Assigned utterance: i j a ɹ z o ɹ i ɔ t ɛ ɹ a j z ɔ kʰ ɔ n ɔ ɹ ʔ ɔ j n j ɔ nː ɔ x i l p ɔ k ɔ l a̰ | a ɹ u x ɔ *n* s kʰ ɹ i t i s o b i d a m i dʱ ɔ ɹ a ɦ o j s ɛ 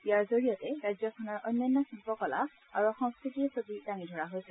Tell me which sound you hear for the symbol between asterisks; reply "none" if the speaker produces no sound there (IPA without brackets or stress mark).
ŋ